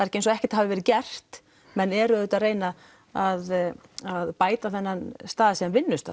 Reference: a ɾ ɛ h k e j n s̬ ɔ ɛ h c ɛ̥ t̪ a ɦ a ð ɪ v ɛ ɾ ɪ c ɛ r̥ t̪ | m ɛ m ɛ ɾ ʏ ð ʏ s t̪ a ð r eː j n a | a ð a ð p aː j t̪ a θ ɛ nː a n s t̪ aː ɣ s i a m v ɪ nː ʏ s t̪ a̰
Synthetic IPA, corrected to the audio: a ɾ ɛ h c e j n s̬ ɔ ɛ h c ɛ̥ t̪ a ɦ a v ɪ v ɛ ɾ ɪ c ɛ r̥ t̪ | m ɛ n ɛ ɾ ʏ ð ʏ t̪ a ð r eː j n a | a ð a ð p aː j t̪ a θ ɛ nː a n s t̪ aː ð s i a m v ɪ nː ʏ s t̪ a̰